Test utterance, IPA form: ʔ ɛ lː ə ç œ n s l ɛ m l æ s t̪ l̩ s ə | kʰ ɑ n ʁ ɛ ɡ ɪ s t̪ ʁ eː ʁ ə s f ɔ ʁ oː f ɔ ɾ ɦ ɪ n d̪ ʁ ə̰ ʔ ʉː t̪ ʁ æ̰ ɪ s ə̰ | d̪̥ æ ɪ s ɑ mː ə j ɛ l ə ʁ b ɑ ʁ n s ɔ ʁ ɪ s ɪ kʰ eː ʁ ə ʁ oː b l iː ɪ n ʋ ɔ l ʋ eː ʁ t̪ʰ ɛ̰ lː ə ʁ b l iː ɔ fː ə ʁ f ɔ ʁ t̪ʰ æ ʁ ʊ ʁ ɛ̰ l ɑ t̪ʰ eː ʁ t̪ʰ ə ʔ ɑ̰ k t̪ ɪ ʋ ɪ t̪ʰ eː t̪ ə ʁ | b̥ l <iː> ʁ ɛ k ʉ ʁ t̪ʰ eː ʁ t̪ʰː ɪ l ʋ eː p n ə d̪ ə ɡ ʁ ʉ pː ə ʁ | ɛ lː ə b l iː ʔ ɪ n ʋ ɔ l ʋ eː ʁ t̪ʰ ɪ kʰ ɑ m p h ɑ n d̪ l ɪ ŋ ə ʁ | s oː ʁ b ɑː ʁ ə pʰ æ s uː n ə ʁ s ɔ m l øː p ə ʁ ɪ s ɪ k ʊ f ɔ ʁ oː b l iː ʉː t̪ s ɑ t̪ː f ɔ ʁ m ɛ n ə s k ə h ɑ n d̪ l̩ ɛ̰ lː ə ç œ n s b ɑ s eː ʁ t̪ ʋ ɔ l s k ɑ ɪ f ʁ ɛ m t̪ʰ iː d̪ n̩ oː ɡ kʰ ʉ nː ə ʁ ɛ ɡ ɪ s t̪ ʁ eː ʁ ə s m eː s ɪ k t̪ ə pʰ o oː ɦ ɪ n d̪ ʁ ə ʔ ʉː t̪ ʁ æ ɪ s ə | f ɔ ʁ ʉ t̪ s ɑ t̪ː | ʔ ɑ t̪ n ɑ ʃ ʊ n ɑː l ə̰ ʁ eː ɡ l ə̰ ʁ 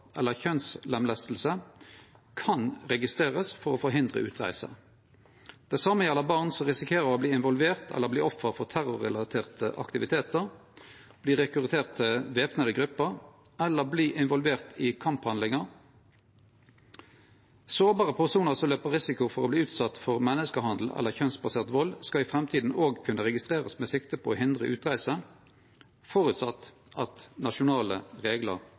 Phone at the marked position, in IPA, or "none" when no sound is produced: iː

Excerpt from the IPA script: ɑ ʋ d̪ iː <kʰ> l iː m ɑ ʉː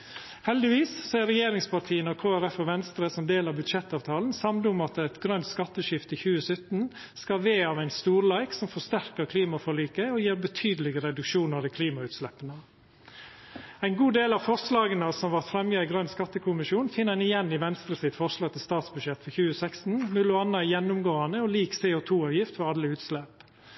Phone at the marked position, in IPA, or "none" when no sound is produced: kʰ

